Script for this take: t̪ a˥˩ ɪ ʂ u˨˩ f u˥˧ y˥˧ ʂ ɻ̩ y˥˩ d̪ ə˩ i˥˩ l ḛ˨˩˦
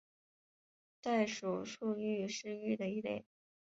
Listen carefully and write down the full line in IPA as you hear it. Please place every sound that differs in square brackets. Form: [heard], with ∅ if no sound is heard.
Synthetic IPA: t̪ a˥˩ ɪ ʂ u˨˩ [ʂ] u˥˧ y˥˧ ʂ ɻ̩ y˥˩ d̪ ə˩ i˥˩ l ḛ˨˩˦